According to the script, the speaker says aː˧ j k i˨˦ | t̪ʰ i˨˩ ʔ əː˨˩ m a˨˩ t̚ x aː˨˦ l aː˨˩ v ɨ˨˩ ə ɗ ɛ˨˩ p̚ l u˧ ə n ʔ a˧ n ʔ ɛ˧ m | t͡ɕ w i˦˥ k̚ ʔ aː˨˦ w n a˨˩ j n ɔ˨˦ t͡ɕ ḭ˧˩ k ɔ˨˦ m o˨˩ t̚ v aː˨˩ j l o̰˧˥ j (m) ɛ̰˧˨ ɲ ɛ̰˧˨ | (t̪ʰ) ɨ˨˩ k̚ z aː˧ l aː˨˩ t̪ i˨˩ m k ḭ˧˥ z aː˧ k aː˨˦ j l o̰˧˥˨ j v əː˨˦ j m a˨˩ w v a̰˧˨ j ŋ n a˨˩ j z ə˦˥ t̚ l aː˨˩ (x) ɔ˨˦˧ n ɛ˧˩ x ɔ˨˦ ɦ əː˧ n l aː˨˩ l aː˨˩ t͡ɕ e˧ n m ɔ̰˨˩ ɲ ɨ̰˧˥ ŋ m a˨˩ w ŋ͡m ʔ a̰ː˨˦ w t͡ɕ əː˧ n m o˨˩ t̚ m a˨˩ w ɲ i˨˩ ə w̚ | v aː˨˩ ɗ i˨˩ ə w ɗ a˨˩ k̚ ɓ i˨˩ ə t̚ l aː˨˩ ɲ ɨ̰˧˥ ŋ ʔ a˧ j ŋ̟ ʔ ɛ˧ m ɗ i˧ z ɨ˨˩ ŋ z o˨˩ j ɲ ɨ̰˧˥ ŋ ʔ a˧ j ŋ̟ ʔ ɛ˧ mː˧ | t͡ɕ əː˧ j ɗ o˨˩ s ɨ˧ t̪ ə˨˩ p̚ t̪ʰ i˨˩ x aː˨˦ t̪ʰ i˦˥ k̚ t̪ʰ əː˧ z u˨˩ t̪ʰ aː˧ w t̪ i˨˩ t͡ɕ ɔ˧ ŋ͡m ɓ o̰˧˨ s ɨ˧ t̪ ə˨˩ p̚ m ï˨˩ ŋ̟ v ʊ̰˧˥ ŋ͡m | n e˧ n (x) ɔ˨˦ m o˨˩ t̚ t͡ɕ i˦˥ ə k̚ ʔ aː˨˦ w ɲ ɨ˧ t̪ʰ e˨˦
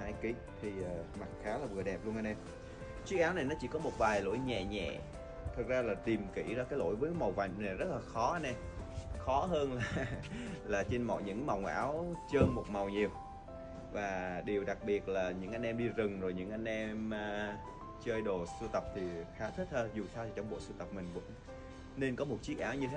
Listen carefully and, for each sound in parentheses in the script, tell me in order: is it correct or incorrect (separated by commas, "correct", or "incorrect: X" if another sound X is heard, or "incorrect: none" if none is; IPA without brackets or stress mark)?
incorrect: ɲ, correct, correct, incorrect: k